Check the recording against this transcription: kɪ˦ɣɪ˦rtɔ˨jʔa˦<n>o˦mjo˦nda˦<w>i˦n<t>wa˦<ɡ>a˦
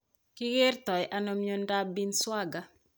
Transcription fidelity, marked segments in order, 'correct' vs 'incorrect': correct, incorrect: b, incorrect: s, correct

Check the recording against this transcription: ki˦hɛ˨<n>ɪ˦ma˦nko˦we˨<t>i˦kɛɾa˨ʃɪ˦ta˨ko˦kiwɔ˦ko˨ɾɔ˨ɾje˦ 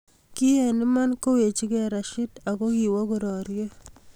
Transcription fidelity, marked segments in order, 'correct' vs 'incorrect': correct, incorrect: t͡ʃ

